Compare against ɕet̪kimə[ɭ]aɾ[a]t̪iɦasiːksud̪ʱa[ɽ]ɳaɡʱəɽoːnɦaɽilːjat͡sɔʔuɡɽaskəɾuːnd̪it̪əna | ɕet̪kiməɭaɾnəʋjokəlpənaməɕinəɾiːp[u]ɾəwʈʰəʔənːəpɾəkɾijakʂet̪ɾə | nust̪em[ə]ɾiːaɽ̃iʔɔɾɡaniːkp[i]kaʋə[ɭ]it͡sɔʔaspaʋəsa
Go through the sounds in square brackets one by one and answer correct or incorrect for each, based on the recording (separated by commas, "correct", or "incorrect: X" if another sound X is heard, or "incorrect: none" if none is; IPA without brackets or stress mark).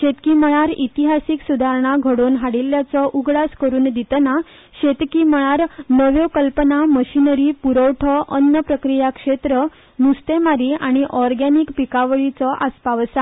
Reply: correct, incorrect: i, incorrect: ɾ, correct, incorrect: a, correct, correct